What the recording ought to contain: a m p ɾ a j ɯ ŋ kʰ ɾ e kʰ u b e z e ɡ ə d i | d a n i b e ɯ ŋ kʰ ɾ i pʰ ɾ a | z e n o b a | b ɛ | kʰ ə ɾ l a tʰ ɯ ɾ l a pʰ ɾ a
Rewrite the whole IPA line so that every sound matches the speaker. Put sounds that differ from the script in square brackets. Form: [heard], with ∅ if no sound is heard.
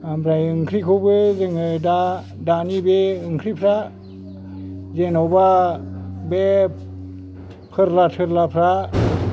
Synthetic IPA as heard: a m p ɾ a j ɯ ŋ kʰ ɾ [i] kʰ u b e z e [ŋ] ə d [a] | d a n i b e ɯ ŋ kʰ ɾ i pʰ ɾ a | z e n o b a | b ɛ | [pʰ] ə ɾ l a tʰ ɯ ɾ l a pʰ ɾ a